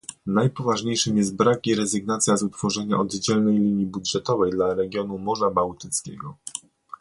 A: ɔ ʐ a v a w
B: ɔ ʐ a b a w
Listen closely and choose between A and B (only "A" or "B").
B